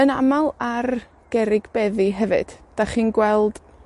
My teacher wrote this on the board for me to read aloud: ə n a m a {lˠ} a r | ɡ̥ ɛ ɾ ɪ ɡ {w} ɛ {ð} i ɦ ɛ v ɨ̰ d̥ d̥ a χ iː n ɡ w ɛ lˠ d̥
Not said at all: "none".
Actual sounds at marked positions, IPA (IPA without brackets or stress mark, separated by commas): lˠ, b, ð